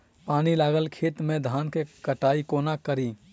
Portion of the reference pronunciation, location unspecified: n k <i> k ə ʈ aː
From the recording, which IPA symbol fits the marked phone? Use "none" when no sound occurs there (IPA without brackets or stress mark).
e